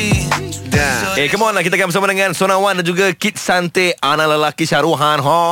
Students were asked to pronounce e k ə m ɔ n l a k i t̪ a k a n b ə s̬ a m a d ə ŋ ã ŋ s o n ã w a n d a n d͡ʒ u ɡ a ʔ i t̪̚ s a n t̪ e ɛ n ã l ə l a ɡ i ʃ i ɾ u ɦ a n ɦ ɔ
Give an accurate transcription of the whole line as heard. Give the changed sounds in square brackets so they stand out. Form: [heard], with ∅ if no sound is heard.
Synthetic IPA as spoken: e k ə m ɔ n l a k i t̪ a k a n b ə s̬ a m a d ə ŋ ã [n] s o n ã w a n d a n d͡ʒ u ɡ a [k] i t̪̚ s a n t̪ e [a] n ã l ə l a [k] i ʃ [a] ɾ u ɦ a n ɦ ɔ